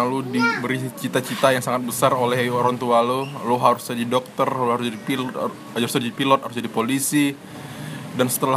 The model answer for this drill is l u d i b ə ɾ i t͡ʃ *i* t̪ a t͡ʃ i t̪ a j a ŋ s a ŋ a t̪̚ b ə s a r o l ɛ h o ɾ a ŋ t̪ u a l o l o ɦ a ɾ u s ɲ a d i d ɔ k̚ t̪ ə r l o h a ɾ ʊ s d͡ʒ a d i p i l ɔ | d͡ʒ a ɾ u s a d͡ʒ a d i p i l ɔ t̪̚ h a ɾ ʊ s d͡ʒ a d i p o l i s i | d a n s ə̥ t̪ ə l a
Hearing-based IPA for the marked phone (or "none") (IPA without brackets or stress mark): i